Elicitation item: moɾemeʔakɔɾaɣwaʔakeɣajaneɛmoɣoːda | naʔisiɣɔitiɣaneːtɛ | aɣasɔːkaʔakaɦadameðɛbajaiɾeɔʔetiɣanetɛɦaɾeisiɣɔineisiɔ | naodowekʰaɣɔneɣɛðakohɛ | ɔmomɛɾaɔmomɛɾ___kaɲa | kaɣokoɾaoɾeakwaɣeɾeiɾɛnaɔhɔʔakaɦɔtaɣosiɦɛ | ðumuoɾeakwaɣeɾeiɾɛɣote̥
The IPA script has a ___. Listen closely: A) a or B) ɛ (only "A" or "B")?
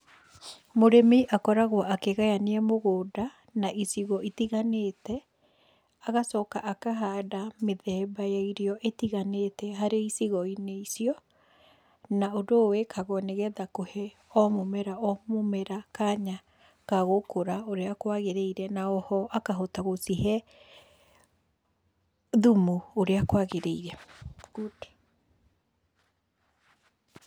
A